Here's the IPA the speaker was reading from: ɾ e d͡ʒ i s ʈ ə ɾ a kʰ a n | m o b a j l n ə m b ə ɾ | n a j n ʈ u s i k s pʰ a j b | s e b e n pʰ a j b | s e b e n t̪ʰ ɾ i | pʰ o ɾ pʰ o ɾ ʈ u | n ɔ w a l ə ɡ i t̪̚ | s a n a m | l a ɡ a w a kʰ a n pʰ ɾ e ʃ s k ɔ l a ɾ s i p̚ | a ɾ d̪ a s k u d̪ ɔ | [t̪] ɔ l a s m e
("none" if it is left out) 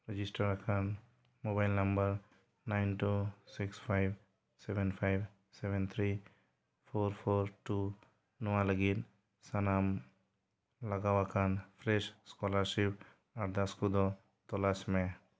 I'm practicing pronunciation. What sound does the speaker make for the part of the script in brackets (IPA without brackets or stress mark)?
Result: t̪